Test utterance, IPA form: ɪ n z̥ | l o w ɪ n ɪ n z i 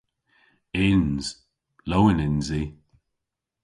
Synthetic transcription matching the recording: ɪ n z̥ | l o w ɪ n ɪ n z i